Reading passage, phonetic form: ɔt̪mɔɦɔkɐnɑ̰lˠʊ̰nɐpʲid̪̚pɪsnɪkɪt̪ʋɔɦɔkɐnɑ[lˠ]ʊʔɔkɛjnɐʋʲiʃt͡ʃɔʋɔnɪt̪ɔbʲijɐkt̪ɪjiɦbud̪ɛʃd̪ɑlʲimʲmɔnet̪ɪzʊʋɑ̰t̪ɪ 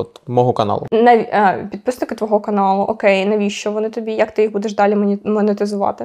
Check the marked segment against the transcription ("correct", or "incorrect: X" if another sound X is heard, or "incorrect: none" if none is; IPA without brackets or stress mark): correct